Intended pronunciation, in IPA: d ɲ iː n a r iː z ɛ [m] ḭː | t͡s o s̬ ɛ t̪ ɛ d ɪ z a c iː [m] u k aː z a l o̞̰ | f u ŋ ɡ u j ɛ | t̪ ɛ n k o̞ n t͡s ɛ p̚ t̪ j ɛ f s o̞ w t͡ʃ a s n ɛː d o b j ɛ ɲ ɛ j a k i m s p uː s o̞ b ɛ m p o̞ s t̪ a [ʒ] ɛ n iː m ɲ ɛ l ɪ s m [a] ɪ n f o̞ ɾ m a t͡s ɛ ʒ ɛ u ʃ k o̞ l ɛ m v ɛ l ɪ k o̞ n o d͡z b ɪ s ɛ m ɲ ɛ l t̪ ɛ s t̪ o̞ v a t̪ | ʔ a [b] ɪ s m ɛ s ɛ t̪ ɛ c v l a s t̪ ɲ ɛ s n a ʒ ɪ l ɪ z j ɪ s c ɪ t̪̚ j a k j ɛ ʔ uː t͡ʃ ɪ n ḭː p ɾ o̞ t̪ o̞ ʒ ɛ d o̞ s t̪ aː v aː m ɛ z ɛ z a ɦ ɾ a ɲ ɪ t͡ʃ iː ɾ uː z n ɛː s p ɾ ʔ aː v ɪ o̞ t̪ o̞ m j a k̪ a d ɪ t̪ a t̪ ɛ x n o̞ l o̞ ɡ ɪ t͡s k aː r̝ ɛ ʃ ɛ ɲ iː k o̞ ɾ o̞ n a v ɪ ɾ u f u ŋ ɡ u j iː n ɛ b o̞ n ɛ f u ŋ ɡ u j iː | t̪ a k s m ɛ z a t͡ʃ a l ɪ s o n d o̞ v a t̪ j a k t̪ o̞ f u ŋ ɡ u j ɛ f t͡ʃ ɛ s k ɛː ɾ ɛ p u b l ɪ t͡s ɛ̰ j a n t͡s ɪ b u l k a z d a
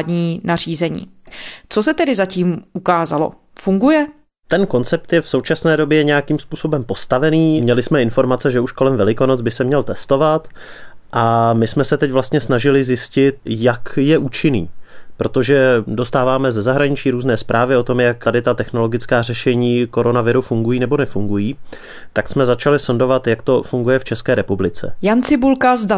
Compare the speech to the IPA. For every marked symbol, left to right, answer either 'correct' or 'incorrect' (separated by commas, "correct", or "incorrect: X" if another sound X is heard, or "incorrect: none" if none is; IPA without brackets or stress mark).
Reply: incorrect: ɲ, correct, incorrect: v, incorrect: ɛ, incorrect: m